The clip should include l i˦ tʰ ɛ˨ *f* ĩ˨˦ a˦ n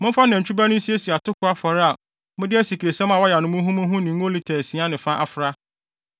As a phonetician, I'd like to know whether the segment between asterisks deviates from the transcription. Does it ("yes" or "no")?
yes